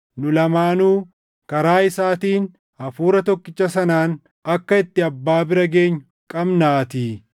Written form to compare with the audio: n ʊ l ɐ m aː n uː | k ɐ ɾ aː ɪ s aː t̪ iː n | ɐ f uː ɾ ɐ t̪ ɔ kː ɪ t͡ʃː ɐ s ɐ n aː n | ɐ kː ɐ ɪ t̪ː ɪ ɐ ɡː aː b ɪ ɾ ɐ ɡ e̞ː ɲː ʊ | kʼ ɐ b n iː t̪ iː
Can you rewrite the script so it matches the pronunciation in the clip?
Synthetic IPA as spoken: n ʊ l ɐ m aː n uː | k ɐ ɾ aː ɪ s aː t̪ iː n | ɐ f uː ɾ ɐ t̪ ɔ kː ɪ t͡ʃː ɐ s ɐ n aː n | ɐ kː ɐ ɪ t̪ː ɪ ɐ bː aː b ɪ ɾ ɐ ɡ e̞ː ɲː ʊ | kʼ ɐ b n aː t̪ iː